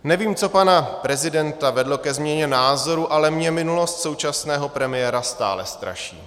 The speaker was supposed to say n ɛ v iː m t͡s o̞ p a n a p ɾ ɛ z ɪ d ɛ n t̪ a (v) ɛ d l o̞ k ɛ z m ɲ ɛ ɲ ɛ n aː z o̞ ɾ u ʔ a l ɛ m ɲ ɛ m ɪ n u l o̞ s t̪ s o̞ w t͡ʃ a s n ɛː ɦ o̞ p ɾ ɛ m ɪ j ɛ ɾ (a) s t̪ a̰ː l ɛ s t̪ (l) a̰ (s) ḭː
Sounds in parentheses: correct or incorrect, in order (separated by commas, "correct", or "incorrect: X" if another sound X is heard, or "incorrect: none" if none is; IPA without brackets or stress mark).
correct, correct, incorrect: ɾ, incorrect: ʃ